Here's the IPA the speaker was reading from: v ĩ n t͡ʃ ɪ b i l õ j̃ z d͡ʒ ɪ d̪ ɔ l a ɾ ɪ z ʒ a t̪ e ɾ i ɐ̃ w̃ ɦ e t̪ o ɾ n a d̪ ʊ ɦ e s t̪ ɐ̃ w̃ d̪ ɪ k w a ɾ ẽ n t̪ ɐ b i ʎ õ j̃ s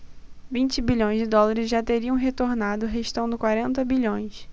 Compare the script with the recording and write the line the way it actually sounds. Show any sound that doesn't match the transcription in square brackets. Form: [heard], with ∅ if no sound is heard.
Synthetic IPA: v ĩ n t͡ʃ ɪ b i [ʎ] õ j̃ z d͡ʒ ɪ d̪ ɔ l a ɾ ɪ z ʒ a t̪ e ɾ i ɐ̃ w̃ ɦ e t̪ o ɾ n a d̪ ʊ ɦ e [ʃ] t̪ ɐ̃ w̃ d̪ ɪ k w a ɾ ẽ n t̪ ɐ b i ʎ õ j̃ s